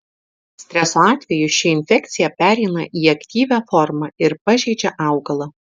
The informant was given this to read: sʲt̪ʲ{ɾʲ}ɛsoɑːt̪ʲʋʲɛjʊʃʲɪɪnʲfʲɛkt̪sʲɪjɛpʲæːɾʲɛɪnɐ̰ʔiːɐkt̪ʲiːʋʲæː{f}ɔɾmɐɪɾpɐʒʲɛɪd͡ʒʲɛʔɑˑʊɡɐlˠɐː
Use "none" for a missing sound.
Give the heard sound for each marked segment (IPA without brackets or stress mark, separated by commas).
ɾʲ, f